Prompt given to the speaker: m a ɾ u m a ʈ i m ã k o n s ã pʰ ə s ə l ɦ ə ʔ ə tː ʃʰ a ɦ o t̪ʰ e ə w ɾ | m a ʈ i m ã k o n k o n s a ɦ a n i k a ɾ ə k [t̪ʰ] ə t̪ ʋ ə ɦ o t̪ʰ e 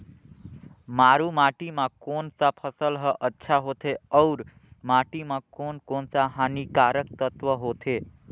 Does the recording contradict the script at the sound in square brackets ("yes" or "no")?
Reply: yes